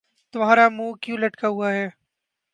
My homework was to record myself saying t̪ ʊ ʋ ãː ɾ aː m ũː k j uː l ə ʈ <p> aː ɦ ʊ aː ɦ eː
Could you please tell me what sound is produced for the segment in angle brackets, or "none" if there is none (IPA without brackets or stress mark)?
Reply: k